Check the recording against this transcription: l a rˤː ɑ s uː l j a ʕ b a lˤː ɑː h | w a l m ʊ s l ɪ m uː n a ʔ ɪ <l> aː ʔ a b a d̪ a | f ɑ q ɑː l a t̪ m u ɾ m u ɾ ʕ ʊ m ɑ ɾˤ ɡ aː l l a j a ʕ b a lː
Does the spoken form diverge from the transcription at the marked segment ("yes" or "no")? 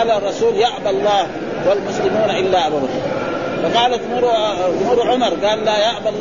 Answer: yes